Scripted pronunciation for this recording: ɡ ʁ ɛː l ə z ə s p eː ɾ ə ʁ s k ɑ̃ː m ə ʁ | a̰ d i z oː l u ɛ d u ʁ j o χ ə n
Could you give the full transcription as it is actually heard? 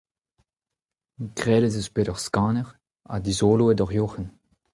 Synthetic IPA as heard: ɡ ʁ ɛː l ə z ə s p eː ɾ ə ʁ s k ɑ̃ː n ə ʁ | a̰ d i z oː l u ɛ d ɔ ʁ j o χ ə n